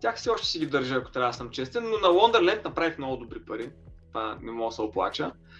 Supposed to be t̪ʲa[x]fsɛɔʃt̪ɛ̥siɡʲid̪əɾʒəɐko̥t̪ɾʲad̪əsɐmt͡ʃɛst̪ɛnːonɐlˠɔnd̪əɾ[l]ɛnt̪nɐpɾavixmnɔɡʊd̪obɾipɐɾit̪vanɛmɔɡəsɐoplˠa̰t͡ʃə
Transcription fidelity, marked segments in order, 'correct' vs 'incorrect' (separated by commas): correct, correct